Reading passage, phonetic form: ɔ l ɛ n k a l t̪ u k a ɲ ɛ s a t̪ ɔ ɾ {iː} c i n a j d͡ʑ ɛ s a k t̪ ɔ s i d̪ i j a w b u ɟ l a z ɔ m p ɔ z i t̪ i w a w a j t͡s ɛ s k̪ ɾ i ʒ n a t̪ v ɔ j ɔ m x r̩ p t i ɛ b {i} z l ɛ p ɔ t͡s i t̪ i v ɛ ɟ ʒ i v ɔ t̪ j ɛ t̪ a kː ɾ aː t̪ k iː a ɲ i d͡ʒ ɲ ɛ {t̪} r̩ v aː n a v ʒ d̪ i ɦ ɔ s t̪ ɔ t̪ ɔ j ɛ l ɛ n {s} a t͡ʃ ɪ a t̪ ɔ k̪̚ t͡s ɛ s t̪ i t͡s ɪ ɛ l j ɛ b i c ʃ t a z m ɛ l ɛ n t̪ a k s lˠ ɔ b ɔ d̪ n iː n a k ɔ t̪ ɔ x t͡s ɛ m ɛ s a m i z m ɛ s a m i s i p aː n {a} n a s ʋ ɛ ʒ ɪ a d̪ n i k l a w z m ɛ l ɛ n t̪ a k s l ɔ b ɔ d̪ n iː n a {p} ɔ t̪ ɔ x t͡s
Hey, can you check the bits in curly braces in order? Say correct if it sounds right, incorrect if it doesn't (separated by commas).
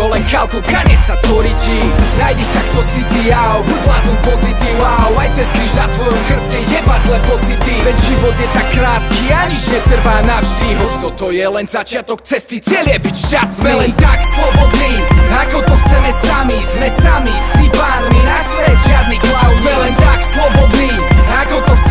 incorrect, incorrect, correct, incorrect, incorrect, incorrect